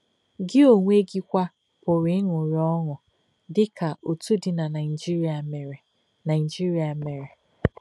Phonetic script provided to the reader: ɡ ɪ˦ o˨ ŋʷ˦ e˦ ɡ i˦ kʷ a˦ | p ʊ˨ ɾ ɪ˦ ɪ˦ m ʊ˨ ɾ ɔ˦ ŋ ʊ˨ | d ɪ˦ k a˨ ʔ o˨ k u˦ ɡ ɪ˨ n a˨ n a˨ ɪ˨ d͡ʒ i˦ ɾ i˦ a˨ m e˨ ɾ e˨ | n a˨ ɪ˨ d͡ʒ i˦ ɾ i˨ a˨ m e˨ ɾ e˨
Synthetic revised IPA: ɡ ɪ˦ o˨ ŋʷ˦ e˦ ɡ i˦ kʷ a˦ | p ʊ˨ ɾ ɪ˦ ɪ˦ ŋ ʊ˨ ɾ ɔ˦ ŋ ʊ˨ | d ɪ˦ k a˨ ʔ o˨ t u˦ d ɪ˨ n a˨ n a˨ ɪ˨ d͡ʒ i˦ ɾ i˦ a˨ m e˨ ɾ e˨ | n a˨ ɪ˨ d͡ʒ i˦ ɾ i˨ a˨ m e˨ ɾ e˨